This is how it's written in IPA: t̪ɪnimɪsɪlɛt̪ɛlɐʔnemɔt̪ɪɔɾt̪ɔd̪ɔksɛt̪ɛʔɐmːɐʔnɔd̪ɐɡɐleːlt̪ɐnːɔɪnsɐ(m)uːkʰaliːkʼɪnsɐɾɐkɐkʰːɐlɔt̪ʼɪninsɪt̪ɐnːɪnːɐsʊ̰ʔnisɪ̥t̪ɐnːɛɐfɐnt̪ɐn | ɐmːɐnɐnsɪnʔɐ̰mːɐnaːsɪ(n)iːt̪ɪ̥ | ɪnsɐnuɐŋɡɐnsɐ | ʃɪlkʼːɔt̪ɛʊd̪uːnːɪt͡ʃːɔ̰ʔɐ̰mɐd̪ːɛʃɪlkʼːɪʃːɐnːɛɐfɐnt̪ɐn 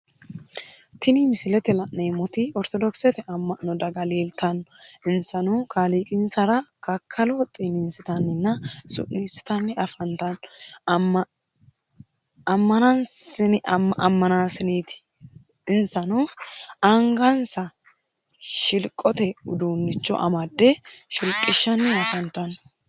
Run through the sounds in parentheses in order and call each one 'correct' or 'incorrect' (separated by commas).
incorrect, correct